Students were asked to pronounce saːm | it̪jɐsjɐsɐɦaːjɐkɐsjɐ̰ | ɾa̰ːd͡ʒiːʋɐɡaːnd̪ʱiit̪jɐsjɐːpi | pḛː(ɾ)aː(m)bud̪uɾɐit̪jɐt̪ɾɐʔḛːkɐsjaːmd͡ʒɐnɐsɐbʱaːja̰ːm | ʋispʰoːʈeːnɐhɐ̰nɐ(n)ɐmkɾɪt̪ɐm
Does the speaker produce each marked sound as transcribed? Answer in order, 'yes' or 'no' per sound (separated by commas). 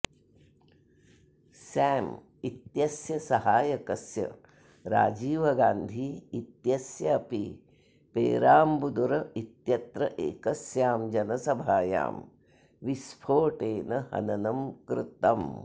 yes, yes, yes